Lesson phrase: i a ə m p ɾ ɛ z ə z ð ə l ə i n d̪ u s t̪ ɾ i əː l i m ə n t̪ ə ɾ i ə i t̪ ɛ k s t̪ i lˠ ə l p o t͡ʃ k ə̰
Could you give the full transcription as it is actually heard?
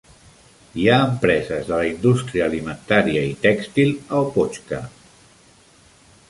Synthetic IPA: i a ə m p ɾ ɛ z ə z ð ə l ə i n d̪ u s t̪ ɾ i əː l i m ə n t̪ a ɾ i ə i t̪ ɛ k s t̪ i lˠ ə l p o t͡ʃ k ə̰

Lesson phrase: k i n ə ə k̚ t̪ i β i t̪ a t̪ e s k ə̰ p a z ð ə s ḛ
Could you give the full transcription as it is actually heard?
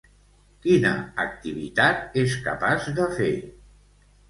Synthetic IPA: k i n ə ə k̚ t̪ i β i t̪ a t̪ e s k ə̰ p a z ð ə f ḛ

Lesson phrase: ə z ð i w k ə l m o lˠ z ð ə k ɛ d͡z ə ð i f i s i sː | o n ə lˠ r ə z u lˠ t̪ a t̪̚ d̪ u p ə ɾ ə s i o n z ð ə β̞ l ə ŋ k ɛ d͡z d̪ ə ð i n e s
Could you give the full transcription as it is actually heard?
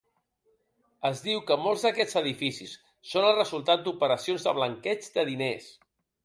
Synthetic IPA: ə z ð i w k ə m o lˠ z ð ə k ɛ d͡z ə ð i f i s i sː | o n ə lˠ r ə z u lˠ t̪ a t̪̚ d̪ u p ə ɾ ə s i o n z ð ə β̞ l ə ŋ k ɛ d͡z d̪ ə ð i n e s

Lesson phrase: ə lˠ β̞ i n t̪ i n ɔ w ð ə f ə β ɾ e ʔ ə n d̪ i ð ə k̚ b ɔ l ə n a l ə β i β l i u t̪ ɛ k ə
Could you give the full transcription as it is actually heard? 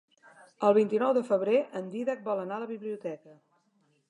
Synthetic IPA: ə lˠ β̞ i n t̪ i n ɔ w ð ə f ə β ɾ e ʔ ə n d̪ i ð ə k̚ b ɔ l ə n a l ə β i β l i u t̪ ɛ k ə

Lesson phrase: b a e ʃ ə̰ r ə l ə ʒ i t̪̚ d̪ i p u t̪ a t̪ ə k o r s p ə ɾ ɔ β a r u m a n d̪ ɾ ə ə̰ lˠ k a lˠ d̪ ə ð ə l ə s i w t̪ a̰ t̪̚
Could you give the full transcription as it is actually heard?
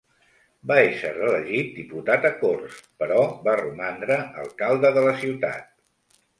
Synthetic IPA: b a e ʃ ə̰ r ə l ə ʒ i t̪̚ d̪ i p u t̪ a t̪ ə k o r s p ə ɾ ɔ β a r u m a n d̪ ɾ ə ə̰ lˠ k a lˠ d̪ ə ð ə l ə s i w t̪ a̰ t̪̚

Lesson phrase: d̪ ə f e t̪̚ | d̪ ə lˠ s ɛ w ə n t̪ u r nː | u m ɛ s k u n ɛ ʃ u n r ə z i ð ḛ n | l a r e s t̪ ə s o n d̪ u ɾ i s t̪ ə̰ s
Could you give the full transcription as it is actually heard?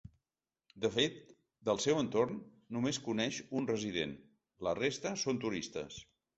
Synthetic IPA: d̪ ə f e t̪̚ | d̪ ə lˠ s ɛ w ə n t̪ o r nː | u m e s k u n ɛ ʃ u n r ə z i ð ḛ n | l ə r e s t̪ ə s o n t̪ u ɾ i s t̪ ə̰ s

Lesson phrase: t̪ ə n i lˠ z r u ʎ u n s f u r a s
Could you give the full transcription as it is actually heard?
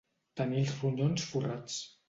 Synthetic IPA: t̪ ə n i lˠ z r u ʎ o n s f u r a t͡s

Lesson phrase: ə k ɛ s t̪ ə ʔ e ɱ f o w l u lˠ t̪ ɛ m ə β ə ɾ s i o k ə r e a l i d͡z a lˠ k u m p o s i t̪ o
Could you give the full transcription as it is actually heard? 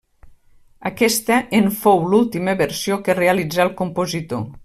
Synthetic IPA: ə k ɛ s t̪ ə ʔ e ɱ f o w l u lˠ t̪ i m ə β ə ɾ s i o k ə r e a l i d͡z a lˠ k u m p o z i t̪ o

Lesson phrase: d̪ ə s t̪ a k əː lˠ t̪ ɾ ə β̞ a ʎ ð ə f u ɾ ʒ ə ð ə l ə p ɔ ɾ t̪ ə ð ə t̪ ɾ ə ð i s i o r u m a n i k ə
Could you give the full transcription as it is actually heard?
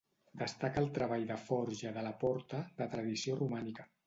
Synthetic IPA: d̪ ə s t̪ a k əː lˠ t̪ ɾ ə β̞ a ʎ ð ə f ɔ ɾ ʒ ə ð ə l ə p ɔ ɾ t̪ ə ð ə t̪ ɾ ə ð i s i o r u m a n i k ə

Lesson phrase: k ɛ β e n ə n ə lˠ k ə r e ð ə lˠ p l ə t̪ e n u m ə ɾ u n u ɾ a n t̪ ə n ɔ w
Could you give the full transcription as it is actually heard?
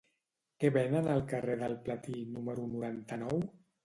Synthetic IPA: k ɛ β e n ə n ə lˠ k ə r e ð ə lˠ p l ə t̪ i n u m ə ɾ u n u ɾ a n t̪ ə n ɔ w

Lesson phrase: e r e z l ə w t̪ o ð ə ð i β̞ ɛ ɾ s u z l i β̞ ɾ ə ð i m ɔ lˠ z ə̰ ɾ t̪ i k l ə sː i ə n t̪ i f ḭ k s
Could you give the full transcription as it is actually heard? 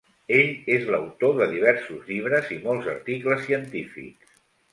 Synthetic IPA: e ʎ e z l ə w t̪ o ð ə ð i β̞ ɛ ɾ s u z ʎ i β̞ ɾ ə z i m ɔ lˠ z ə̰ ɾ t̪ i k l ə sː i ə n t̪ i f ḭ k s

